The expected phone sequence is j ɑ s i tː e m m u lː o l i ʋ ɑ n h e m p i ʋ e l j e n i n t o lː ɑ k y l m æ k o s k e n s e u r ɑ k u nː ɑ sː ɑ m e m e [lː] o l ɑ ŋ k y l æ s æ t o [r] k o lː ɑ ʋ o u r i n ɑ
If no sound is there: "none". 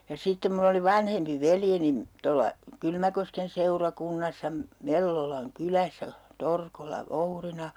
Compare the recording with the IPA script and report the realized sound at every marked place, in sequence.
lː, r

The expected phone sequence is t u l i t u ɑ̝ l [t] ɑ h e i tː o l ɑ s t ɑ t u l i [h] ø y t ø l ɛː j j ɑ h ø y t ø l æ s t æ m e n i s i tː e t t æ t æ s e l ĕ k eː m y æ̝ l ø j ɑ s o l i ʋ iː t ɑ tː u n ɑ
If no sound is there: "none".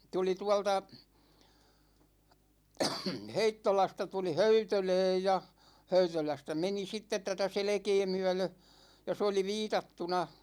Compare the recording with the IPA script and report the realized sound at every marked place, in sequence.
t, h

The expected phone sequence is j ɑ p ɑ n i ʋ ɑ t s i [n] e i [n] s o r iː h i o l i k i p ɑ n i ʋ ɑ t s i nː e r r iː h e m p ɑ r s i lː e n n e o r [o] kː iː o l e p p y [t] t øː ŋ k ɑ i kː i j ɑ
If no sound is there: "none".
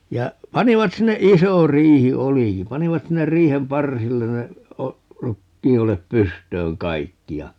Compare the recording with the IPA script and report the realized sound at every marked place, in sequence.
nː, none, u, s

